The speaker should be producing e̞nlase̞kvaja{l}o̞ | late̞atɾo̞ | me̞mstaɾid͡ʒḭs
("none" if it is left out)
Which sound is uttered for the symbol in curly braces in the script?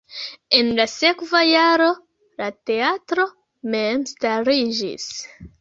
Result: ɾ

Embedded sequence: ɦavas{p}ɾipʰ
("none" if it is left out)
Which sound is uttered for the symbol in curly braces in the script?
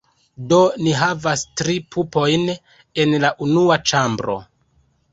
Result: t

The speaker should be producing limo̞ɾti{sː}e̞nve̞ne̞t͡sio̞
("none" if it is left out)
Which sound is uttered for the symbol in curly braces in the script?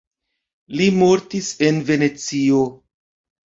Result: s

